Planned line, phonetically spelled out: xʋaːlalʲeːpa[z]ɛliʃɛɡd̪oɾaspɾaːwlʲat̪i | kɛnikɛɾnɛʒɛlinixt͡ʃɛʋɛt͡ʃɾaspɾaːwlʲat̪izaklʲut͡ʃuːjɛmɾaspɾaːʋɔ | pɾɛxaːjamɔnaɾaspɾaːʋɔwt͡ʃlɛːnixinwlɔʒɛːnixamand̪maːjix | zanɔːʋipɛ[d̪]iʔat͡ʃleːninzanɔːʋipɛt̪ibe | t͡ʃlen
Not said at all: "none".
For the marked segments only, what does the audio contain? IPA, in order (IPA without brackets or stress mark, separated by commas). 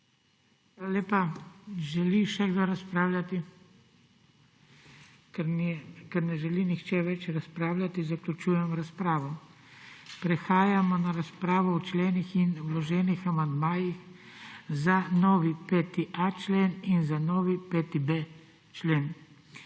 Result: ʒ, t̪